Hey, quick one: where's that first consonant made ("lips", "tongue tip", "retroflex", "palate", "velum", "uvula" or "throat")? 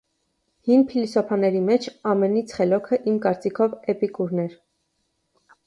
throat